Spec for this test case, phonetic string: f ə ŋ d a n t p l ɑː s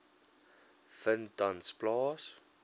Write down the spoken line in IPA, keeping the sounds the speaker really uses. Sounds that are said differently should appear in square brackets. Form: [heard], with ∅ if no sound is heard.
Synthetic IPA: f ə [n] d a n [s] p l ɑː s